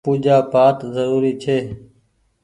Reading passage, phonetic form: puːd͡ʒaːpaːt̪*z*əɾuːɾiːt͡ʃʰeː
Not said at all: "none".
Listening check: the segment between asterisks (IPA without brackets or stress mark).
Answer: z